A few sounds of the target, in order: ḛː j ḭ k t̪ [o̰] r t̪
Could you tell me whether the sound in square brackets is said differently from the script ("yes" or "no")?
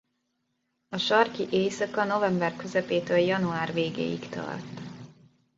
yes